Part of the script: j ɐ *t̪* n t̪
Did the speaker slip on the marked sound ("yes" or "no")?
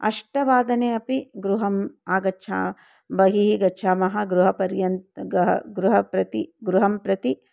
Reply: yes